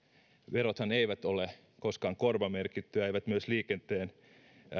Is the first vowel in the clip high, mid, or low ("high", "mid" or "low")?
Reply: mid